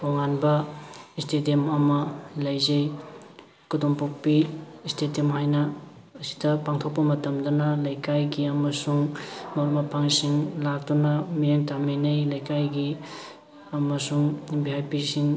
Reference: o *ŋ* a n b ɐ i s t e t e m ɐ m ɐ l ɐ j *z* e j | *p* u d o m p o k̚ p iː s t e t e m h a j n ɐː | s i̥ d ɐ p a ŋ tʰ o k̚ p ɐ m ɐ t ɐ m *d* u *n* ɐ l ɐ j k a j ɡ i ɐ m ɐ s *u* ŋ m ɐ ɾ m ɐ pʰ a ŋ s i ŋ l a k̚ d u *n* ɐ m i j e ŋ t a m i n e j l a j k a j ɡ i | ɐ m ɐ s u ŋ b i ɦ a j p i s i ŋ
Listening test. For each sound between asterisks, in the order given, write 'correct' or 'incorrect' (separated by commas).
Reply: correct, correct, incorrect, correct, correct, correct, correct